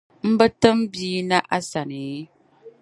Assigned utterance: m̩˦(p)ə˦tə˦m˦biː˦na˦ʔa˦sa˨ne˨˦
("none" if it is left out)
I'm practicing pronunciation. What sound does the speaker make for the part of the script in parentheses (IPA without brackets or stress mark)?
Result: b